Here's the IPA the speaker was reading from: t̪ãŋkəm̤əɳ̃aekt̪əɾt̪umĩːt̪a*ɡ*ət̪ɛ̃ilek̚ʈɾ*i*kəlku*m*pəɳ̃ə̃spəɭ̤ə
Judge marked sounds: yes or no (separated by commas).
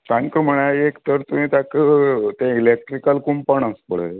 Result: no, yes, yes